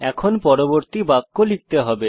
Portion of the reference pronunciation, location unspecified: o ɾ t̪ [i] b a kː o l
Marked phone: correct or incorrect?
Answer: correct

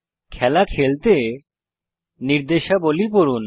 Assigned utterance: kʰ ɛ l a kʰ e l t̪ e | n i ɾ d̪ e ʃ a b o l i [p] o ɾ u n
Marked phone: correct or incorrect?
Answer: correct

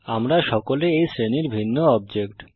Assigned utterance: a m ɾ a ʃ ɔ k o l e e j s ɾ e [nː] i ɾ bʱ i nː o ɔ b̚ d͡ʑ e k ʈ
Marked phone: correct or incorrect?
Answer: incorrect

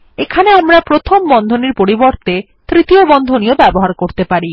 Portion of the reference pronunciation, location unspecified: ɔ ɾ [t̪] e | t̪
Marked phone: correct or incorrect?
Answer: correct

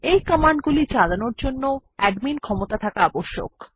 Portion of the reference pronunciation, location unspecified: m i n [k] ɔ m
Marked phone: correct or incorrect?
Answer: incorrect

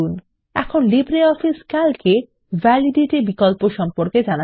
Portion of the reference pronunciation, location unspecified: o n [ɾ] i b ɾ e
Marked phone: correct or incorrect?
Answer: incorrect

